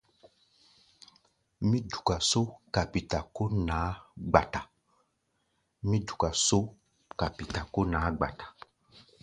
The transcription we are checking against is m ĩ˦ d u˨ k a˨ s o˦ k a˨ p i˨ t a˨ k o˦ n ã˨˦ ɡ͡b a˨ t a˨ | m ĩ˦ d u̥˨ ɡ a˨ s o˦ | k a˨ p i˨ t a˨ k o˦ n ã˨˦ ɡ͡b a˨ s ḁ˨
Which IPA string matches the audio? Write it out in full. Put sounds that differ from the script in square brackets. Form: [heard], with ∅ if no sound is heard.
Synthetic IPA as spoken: m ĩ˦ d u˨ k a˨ s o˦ k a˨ p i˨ t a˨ k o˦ n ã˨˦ ɡ͡b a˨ t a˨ | m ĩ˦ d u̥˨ [k] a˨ s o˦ | k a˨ p i˨ t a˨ k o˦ n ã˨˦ ɡ͡b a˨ [t] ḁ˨